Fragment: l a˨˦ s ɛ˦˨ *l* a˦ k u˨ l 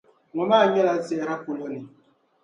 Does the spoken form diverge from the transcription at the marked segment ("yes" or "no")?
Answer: yes